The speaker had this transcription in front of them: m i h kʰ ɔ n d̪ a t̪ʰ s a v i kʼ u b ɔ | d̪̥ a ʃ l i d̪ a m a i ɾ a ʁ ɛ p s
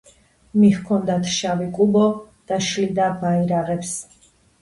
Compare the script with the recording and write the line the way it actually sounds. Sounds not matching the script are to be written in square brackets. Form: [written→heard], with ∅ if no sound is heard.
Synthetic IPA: m i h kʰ ɔ n d̪ a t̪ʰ [s→ʃ] a v i kʼ u b ɔ | d̪̥ a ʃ l i d̪ a [m→b] a i ɾ a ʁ ɛ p s